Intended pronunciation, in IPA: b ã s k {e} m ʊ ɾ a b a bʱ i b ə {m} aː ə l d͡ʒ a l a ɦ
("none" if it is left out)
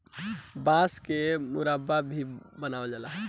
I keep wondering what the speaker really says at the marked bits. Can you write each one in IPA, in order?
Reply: e, n

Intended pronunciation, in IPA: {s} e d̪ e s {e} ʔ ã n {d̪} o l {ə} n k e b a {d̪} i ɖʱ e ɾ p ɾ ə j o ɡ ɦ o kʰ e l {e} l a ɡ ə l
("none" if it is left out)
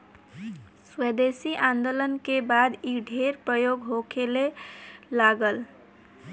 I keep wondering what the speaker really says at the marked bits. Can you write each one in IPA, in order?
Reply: s, i, d̪, ə, d̪, e

